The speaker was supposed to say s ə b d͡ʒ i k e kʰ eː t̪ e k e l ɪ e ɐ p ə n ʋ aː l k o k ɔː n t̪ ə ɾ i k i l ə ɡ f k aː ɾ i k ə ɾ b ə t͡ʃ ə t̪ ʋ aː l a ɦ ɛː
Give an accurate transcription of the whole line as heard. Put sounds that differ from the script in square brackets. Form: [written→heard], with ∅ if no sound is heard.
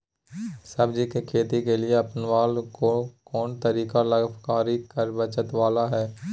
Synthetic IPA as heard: s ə b d͡ʒ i k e kʰ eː t̪ [e→i] k e l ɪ e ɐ p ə n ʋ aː l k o k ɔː n t̪ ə ɾ [i→iː] k [i→a] l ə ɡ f k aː ɾ i k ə ɾ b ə t͡ʃ ə t̪ ʋ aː l a ɦ ɛː

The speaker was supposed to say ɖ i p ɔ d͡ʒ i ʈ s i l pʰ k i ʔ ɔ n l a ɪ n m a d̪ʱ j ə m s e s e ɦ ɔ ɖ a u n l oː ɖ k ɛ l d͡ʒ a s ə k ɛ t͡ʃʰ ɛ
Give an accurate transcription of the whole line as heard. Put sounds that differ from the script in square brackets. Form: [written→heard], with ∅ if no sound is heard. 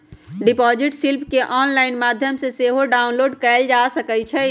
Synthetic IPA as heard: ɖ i p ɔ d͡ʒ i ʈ s i l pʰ k [i→e] ʔ ɔ n l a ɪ n m a d̪ʱ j ə m s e s e ɦ [ɔ→o] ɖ a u n l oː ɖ k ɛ l d͡ʒ a s ə k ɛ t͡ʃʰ ɛ

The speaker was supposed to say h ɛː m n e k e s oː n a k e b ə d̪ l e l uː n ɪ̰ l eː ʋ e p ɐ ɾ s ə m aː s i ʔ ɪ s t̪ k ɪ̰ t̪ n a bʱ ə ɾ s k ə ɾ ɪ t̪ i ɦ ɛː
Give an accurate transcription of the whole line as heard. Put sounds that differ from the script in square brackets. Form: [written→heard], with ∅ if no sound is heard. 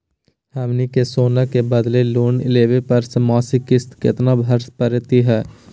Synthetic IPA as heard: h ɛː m n [e→i] k e s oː n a k e b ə d̪ l e l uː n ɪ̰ l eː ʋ e p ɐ ɾ s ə m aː s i [ʔ→k] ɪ s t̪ k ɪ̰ t̪ n a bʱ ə ɾ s [k→p] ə ɾ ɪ t̪ i ɦ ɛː

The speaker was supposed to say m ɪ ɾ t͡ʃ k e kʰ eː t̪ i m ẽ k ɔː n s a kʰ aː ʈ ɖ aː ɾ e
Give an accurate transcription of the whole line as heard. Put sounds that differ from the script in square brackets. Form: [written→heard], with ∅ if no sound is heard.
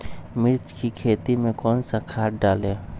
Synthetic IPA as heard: m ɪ ɾ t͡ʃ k [e→i] kʰ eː t̪ i m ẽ k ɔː n s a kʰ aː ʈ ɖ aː [ɾ→l] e

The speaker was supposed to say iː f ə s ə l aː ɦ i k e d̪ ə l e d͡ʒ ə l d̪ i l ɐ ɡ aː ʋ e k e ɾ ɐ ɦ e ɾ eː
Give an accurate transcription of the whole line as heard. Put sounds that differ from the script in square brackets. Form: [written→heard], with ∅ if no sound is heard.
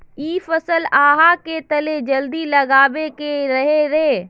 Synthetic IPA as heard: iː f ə s ə l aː ɦ [i→a] k e [d̪→t̪] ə l e d͡ʒ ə l d̪ i l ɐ ɡ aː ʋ e k e ɾ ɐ ɦ e ɾ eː

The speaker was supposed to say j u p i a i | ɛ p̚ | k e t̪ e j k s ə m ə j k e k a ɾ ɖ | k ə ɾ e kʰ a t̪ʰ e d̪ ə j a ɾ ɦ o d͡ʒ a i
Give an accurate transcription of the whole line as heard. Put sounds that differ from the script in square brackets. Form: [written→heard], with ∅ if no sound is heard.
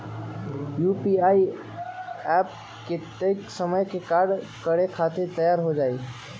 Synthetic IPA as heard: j u p i a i | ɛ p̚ | k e t̪ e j k s ə m ə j k e k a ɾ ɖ | k ə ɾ e kʰ a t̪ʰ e [d̪→t̪] ə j a ɾ ɦ o d͡ʒ a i

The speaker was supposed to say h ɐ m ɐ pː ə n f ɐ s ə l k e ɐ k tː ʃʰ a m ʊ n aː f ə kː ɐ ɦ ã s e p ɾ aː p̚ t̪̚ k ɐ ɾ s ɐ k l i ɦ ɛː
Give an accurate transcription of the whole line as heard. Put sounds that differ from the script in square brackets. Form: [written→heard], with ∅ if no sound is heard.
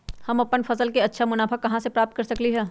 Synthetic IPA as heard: h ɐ m ɐ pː ə n f ɐ s ə l k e ɐ [k→∅] tː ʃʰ a m ʊ n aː f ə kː ɐ ɦ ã s e p ɾ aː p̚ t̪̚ k ɐ ɾ s ɐ k l i ɦ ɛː

